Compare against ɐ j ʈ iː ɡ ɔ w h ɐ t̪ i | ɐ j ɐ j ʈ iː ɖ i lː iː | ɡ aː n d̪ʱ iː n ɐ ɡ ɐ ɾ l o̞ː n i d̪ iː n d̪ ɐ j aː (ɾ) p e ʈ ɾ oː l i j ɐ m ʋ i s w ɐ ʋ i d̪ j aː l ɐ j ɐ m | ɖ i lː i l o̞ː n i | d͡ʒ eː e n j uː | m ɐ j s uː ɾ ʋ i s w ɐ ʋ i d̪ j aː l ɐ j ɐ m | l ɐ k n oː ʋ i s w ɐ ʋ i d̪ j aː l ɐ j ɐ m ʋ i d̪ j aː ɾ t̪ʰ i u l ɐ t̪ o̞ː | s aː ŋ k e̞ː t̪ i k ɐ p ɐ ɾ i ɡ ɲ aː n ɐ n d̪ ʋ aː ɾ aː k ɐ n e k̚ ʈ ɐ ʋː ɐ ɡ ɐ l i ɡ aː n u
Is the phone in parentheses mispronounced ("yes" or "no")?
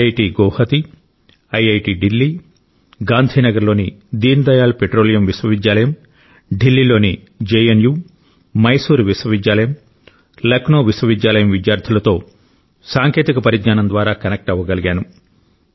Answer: yes